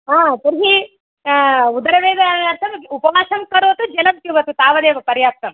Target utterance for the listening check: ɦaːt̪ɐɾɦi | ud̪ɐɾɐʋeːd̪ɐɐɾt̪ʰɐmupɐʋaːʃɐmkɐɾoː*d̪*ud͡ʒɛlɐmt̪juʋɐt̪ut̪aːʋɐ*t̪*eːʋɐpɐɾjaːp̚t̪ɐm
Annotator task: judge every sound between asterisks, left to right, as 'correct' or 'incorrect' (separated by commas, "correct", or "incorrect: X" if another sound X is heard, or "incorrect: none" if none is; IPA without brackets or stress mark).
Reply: incorrect: t̪, incorrect: d̪